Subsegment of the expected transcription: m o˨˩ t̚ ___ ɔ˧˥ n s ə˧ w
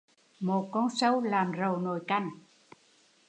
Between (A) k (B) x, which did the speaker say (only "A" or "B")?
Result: A